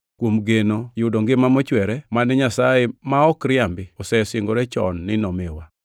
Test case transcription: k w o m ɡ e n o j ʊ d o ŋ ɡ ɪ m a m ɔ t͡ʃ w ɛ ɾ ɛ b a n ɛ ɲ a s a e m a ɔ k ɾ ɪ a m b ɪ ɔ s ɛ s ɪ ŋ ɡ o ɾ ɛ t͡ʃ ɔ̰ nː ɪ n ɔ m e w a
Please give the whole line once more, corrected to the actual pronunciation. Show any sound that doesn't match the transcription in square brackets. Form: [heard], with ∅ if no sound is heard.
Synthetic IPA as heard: k w o m ɡ e n o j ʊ d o ŋ ɡ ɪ m a m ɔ t͡ʃ w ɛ ɾ ɛ [m] a n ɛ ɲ a s a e m a ɔ k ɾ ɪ a m b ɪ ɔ s ɛ s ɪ ŋ ɡ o ɾ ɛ t͡ʃ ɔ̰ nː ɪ n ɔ m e w a